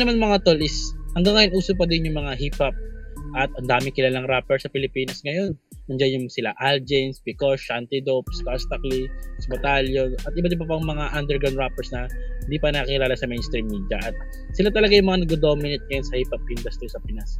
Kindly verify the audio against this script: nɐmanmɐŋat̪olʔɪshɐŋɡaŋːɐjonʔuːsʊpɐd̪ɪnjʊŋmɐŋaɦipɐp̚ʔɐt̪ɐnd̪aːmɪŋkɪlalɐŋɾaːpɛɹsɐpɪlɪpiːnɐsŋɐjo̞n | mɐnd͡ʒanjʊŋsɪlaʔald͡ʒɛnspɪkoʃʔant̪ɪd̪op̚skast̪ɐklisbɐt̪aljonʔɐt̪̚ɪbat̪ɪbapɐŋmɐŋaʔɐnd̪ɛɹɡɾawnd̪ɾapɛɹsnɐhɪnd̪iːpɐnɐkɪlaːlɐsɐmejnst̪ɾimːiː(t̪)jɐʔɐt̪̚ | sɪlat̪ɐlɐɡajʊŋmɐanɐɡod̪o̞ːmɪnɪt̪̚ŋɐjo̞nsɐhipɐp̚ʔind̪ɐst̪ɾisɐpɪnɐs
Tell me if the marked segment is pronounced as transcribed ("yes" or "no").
no